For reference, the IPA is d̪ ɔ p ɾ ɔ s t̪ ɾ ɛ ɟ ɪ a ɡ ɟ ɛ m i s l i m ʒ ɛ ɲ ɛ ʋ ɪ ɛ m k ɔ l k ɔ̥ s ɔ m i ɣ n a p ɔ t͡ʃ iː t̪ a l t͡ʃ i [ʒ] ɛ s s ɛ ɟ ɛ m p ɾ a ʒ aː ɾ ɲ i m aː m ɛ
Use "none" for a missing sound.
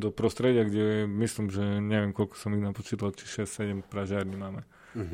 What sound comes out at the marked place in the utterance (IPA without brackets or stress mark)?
ʃ